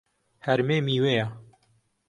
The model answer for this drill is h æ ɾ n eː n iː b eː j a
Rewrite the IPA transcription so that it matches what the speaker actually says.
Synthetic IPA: h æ ɾ m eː m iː w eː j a